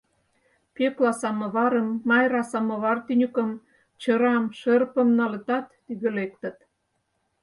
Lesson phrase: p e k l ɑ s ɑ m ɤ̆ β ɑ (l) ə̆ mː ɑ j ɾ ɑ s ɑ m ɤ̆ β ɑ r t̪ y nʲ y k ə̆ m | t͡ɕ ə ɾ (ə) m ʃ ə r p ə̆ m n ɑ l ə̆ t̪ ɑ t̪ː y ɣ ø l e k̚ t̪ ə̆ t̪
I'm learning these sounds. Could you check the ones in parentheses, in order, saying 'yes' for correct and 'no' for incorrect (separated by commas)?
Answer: no, no